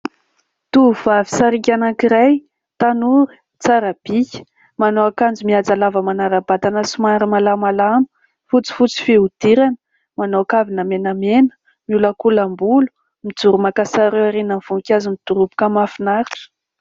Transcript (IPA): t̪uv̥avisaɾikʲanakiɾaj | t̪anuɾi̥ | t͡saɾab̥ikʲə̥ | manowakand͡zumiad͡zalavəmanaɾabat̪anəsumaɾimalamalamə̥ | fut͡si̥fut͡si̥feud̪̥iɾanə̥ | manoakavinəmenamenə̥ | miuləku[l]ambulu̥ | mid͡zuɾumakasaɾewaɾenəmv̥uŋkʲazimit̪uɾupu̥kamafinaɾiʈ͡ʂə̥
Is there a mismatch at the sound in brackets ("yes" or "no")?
no